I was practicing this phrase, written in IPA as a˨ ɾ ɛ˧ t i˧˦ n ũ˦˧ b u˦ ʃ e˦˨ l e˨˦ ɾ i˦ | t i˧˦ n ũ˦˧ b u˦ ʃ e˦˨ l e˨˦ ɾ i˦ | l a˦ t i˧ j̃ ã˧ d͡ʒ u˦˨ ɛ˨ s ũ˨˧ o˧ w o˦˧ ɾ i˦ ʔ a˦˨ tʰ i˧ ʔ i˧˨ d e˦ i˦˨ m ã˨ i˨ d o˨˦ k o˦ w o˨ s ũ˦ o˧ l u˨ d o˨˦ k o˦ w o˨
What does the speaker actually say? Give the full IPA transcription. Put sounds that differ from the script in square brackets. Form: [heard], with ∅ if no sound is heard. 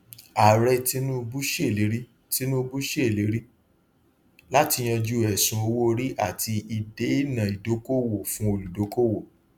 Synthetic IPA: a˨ ɾ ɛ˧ t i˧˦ n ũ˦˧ b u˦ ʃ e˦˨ l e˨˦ ɾ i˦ | t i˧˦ n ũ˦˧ b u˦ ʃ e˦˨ l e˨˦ ɾ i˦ | l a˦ t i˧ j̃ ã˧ d͡ʒ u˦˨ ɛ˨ s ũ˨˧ o˧ w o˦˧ ɾ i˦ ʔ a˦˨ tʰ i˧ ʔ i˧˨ d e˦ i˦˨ [n] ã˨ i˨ d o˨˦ k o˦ w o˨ [f] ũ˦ o˧ l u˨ d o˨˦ k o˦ w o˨